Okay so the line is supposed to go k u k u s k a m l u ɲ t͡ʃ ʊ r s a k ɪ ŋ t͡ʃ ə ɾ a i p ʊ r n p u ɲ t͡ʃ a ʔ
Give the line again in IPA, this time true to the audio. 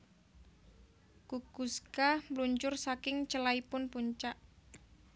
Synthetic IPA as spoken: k u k u s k a m l u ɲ t͡ʃ ʊ r s a k ɪ ŋ t͡ʃ ə l a i p ʊ n p u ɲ t͡ʃ a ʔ

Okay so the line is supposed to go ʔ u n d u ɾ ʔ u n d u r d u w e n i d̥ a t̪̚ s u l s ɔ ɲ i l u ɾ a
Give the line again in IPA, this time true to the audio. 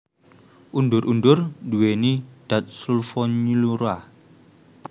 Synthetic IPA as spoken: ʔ u n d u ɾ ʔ u n d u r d u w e n i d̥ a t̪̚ s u l f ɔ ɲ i l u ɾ a

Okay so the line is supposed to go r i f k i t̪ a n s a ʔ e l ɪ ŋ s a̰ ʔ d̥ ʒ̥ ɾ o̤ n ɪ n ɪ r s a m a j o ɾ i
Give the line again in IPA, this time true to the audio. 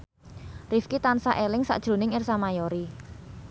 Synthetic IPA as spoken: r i f k i t̪ a n s a ʔ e l ɪ ŋ s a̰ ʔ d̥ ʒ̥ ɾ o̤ n ɪ ŋ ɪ r s a m a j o ɾ i

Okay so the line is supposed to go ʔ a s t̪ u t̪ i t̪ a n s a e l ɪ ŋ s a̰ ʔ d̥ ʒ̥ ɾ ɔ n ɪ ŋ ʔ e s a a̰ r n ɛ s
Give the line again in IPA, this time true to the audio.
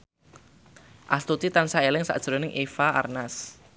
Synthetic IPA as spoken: ʔ a s t̪ u t̪ i t̪ a n s a e l ɪ ŋ s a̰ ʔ d̥ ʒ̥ ɾ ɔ n ɪ ŋ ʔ e f a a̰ r n a s

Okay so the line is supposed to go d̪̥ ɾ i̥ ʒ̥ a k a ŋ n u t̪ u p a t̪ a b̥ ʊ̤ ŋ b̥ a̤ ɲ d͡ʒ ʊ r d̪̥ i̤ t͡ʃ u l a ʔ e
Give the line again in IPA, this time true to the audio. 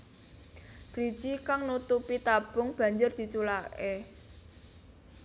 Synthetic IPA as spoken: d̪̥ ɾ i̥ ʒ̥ i k a ŋ n u t̪ u p i t̪ a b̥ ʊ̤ ŋ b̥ a̤ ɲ d͡ʒ ʊ r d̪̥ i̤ t͡ʃ u l a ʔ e

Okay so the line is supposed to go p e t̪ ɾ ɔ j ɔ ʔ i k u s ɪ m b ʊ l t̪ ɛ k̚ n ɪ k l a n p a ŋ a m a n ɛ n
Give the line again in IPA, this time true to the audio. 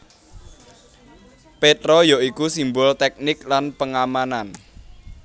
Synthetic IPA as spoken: p e t̪ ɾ ɔ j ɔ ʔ i k u s i m b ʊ l t̪ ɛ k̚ n ɪ k l a n p ə ŋ a m a n a n

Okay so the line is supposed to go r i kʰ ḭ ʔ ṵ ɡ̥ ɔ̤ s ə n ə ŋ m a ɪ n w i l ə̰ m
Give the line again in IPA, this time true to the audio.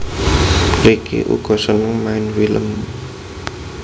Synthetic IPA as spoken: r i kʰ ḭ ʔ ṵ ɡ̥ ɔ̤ s ə n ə ŋ m a ɪ n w i l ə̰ m

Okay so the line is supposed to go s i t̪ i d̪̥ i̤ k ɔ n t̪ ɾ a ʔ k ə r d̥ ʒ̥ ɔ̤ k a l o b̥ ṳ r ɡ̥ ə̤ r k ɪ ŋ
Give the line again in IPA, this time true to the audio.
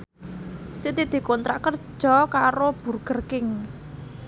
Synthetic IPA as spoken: s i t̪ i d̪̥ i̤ k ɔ n t̪ ɾ a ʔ k ə r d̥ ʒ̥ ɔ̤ k a ɾ o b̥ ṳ r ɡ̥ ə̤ r k ɪ ŋ

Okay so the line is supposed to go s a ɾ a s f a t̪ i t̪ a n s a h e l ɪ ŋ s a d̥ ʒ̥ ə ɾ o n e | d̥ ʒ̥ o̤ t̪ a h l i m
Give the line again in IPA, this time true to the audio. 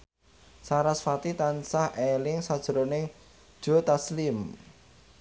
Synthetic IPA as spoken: s a ɾ a s f a t̪ i t̪ a n s a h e l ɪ ŋ s a d̥ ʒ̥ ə ɾ o n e | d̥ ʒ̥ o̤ t̪ a s l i m

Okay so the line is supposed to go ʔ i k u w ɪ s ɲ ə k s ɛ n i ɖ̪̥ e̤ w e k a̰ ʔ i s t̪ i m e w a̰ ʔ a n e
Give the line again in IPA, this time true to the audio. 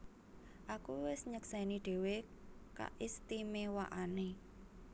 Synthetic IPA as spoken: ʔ a k u w ɪ s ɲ ə k s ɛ n i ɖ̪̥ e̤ w e k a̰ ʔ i s t̪ i m e w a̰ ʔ a n e

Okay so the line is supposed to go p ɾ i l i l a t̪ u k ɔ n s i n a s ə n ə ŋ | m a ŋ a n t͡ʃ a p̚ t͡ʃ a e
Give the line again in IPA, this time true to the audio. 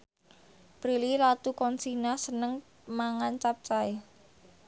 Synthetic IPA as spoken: p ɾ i l i l a t̪ u k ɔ n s i n a s ə n ə ŋ | m a ŋ a n t͡ʃ a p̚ t͡ʃ a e

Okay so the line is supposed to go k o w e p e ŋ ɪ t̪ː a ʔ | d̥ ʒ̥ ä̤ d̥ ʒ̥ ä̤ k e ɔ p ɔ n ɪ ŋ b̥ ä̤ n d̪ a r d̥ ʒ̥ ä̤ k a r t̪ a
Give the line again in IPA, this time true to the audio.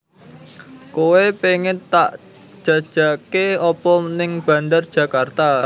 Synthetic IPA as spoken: k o w e p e ŋ ɪ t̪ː a ʔ | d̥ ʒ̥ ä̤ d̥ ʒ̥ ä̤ k e ɔ p ɔ n ɪ ŋ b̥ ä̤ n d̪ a r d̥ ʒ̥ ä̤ k a r t̪ a

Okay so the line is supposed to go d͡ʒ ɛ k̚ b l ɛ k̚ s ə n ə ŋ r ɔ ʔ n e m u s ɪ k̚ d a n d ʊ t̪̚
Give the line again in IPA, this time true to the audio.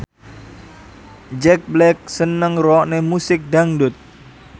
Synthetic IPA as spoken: d͡ʒ ɛ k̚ b l ɛ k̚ s ə n ə ŋ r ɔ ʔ n e m u s ɪ k̚ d a ŋ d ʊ t̪̚

